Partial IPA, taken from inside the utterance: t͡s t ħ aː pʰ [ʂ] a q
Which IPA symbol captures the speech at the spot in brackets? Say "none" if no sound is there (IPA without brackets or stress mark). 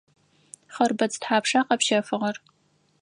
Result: ʂ